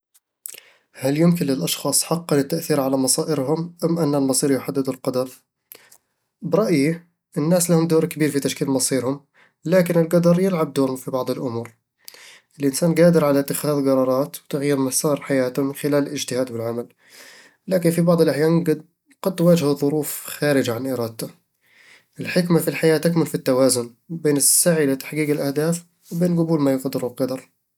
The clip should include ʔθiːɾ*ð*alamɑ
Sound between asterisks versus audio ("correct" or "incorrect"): incorrect